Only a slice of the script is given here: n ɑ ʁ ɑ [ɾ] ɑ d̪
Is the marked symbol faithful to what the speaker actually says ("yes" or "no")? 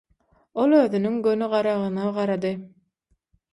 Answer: yes